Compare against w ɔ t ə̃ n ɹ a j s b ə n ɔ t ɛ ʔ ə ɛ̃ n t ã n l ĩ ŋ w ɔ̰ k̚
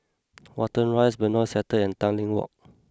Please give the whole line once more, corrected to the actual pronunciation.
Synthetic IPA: w ɔ t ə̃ n ɹ a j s b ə n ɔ s ɛ t ə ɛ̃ n t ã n l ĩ ŋ w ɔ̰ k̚